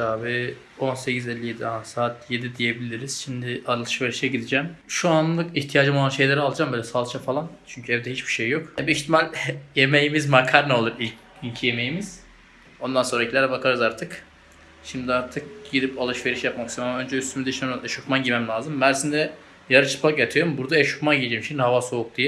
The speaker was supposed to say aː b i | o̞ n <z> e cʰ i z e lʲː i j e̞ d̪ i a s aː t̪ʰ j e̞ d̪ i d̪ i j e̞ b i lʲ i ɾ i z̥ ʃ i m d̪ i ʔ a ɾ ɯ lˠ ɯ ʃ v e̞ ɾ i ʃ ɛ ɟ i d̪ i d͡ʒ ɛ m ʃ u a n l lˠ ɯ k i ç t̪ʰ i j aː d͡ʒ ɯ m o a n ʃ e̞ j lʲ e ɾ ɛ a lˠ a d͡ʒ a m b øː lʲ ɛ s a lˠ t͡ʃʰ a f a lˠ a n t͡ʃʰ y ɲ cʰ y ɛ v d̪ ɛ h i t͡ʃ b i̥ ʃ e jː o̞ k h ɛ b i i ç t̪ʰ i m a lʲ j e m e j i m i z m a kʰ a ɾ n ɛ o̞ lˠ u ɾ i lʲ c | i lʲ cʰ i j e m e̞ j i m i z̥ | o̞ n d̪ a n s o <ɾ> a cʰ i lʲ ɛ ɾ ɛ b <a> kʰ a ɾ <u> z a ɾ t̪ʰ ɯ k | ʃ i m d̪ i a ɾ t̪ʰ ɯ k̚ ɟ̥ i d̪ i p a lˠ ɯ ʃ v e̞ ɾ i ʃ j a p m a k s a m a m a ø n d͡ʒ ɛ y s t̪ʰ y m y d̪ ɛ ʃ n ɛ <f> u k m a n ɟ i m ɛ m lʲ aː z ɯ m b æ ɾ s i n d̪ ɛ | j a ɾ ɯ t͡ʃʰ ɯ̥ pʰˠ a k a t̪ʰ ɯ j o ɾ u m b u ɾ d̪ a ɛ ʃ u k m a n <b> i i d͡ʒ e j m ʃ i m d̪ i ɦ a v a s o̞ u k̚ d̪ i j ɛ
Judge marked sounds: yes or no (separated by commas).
no, yes, yes, no, no, no